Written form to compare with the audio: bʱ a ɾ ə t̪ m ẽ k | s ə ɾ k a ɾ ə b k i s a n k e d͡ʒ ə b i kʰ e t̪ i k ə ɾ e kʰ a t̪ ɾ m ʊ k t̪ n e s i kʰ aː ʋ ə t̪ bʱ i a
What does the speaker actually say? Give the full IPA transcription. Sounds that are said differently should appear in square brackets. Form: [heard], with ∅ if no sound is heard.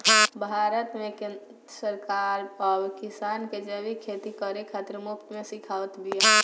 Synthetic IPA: bʱ a ɾ ə t̪ m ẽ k | s ə ɾ k a ɾ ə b k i s a n k e d͡ʒ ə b i kʰ e t̪ i k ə ɾ e kʰ a t̪ ɾ m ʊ k t̪ [m] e s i kʰ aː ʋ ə t̪ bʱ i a

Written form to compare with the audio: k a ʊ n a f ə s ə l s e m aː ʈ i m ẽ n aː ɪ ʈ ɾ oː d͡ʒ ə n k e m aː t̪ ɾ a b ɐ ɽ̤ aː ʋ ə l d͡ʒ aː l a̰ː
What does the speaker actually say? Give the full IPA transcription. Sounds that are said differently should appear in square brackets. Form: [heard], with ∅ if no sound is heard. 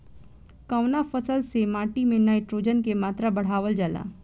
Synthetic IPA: k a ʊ n a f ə s ə l s e m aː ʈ i m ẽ n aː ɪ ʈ ɾ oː d͡ʒ ə n k e m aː t̪ ɾ a b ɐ ɽ̤ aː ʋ ə l d͡ʒ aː l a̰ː

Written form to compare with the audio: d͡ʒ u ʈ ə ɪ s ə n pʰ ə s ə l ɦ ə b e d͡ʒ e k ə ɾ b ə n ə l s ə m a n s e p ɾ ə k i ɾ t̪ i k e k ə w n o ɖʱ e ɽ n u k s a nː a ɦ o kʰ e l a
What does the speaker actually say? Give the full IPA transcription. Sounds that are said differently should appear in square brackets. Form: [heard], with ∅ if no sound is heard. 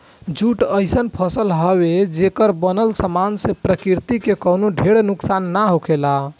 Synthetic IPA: d͡ʒ u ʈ ə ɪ s ə n pʰ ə s ə l ɦ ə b e d͡ʒ e k ə ɾ b ə n ə l s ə m a n s e p ɾ ə k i ɾ t̪ i k e k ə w n o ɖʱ e ɽ n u k s a nː a ɦ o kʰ e l a

